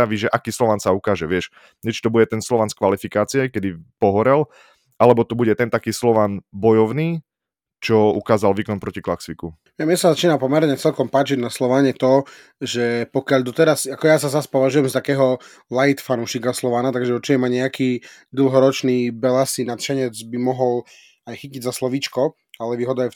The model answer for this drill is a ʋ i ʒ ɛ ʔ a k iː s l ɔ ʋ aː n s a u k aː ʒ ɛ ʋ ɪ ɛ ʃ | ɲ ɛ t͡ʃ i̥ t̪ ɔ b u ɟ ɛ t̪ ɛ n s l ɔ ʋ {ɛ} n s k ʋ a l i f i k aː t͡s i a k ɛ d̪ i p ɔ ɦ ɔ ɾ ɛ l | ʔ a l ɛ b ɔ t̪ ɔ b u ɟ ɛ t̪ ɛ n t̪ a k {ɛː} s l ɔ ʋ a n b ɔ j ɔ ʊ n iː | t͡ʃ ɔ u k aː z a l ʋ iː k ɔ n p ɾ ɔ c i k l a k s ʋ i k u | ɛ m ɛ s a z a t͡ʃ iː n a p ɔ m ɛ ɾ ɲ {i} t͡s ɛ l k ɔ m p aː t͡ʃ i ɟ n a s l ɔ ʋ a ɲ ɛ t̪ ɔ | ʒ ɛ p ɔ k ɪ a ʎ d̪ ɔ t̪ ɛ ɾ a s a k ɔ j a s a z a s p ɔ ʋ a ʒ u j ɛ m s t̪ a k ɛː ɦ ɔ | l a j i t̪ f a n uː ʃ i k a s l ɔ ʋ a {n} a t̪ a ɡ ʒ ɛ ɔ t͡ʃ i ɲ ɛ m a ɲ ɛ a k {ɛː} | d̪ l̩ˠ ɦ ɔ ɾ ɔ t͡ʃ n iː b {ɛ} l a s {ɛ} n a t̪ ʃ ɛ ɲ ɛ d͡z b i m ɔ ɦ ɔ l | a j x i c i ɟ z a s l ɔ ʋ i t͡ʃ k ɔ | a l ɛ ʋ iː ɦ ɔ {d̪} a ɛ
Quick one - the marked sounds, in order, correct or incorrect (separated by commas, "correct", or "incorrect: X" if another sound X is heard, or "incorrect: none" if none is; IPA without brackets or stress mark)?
incorrect: a, incorrect: iː, incorrect: ɛ, correct, incorrect: iː, correct, incorrect: i, correct